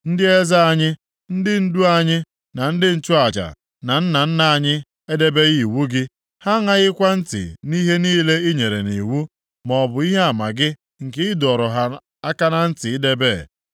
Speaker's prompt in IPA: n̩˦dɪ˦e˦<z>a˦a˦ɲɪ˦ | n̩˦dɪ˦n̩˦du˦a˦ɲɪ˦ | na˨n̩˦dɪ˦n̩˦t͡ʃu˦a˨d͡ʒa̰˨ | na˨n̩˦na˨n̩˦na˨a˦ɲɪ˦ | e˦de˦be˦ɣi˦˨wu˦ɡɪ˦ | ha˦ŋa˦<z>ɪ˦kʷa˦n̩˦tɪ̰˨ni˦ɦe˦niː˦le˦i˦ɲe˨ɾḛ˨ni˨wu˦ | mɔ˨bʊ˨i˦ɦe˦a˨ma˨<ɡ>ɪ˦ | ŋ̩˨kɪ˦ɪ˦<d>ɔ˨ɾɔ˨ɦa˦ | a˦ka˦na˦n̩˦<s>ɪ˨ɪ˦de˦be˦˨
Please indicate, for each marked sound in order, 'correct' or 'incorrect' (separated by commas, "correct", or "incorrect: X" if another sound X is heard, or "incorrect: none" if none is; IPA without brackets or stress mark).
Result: correct, incorrect: ɣ, correct, correct, incorrect: t